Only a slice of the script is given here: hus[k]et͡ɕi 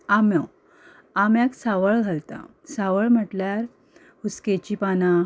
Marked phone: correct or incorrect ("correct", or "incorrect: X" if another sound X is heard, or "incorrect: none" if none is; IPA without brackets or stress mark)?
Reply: correct